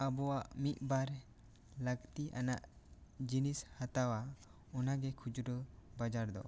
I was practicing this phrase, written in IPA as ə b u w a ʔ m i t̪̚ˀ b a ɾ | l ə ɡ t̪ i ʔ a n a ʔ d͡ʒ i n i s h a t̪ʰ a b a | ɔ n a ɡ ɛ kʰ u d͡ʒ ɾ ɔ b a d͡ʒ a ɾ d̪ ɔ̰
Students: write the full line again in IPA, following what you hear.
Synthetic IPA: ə b ɔ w a ʔ m i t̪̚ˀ b a ɾ | l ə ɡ t̪ i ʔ a n a ʔ d͡ʒ i n i s h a t̪ a w a | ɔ n a ɡ ɛ kʰ u d͡ʒ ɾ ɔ b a d͡ʒ a ɾ d̪ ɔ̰

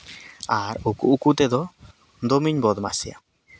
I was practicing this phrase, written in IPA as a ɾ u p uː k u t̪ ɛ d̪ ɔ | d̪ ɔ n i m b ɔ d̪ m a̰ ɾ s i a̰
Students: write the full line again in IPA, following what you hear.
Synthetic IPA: a ɾ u k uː k u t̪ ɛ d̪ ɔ | d̪ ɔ m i ɲ b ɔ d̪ m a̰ s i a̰

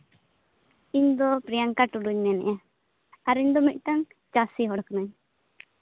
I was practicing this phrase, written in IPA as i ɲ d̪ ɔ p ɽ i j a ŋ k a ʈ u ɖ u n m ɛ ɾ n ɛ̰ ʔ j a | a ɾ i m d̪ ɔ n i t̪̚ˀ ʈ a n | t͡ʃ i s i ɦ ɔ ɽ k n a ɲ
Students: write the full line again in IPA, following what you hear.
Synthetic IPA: i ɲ d̪ ɔ p ɾ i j a ŋ k a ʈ u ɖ u ɲ m ɛ n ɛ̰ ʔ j a | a ɾ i ɲ d̪ ɔ m i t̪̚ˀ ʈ a ŋ | t͡ʃ a s i ɦ ɔ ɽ k n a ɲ

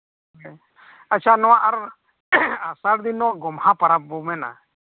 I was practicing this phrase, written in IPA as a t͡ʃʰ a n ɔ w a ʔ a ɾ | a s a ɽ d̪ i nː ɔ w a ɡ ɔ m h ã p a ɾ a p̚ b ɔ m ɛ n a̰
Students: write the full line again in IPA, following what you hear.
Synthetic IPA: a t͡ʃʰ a n ɔ w a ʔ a ɾ | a s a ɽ d̪ i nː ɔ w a ɡ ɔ m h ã p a ɾ a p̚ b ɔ m ɛ n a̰

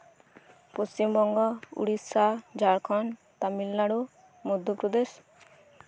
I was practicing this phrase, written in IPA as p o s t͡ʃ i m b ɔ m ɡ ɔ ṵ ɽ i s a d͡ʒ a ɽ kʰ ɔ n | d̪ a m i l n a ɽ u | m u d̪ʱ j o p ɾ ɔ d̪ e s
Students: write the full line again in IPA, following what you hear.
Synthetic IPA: p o s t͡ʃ i m b ɔ ŋ ɡ ɔ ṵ ɽ i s a d͡ʒ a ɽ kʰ ɔ n | t̪ a m i l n a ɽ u | m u d̪ʱ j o p ɾ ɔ d̪ e s

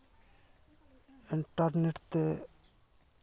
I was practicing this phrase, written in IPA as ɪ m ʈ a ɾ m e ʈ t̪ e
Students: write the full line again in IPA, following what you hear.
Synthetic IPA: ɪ ɳ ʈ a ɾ n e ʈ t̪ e

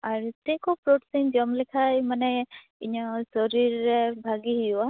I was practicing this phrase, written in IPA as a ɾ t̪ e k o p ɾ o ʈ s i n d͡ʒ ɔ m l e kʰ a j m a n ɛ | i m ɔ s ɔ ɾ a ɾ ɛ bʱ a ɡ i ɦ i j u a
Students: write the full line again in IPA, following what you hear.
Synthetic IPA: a ɾ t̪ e k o p ɾ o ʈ s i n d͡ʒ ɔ m l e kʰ a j m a n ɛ | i ɲ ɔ s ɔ ɾ i ɾ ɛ bʱ a ɡ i ɦ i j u a

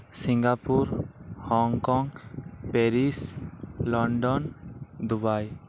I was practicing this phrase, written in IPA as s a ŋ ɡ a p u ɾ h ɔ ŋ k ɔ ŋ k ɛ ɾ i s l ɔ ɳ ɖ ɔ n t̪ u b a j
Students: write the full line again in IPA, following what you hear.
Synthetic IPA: s i ŋ ɡ a p u ɾ h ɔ ŋ k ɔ ŋ p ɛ ɾ i s l ɔ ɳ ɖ ɔ n d̪ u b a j

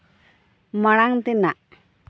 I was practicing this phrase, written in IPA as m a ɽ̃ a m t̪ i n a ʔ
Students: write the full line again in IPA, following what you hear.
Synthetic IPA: m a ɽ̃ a ŋ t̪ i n a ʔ

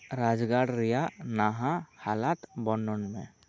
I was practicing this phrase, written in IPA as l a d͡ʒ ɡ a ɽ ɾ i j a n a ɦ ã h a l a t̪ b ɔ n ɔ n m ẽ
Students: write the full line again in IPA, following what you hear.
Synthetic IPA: ɾ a d͡ʒ ɡ a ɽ ɾ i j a n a ɦ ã h a l a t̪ b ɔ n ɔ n m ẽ

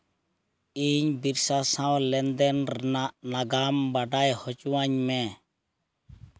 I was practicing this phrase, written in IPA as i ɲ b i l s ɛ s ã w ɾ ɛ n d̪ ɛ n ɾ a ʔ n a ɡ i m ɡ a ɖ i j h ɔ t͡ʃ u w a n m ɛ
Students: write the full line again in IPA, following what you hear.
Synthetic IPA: i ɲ b i ɾ s a s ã w l ɛ n d̪ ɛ n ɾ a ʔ n a ɡ a m b a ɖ a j h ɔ t͡ʃ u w a ɲ m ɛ

